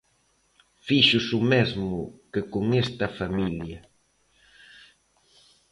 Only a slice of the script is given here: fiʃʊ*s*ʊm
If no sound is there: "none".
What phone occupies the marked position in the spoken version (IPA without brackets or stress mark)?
s